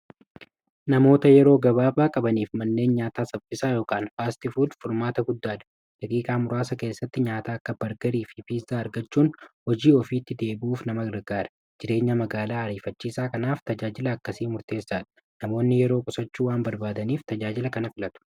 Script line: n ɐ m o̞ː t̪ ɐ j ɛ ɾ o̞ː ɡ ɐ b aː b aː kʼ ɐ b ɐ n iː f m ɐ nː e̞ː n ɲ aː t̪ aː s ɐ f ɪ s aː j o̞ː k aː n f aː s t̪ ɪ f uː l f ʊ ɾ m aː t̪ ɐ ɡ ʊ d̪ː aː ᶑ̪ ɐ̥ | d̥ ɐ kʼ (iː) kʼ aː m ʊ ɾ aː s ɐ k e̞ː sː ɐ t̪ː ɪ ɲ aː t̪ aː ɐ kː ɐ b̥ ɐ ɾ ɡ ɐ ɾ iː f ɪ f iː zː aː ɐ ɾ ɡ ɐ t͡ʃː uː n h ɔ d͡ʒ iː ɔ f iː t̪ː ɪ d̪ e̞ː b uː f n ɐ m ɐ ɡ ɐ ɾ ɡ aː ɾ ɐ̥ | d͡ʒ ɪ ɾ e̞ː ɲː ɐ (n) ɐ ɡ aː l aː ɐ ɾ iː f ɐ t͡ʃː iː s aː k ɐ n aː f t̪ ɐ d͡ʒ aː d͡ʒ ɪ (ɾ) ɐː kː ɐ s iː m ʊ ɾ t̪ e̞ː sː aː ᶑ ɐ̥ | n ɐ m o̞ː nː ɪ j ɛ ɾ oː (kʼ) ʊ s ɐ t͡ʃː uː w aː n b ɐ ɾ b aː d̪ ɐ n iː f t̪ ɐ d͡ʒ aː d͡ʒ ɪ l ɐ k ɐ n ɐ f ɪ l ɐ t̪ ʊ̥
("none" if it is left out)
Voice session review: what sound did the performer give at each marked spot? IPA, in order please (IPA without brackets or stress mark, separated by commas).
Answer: iː, m, l, kʼ